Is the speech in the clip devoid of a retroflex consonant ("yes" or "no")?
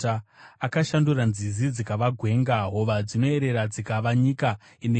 yes